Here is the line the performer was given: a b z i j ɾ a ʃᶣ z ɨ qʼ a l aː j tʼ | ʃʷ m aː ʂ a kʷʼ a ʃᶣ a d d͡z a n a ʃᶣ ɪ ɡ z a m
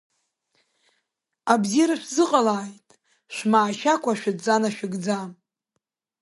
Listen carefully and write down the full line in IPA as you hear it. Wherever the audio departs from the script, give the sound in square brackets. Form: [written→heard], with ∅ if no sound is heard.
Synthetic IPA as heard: a b z i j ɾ a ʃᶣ z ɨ qʼ a l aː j tʼ | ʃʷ m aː [ʂ→ʃ] a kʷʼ a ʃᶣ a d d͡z a n a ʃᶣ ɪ ɡ [z→d͡z] a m